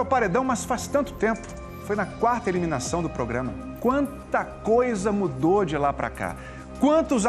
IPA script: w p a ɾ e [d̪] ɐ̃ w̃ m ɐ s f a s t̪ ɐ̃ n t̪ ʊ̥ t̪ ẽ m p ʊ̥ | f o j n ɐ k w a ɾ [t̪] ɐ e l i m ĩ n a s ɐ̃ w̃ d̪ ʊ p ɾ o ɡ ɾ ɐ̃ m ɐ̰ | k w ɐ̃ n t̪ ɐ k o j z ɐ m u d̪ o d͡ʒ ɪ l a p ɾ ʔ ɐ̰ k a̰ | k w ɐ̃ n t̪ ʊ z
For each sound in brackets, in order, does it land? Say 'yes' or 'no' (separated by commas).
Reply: yes, yes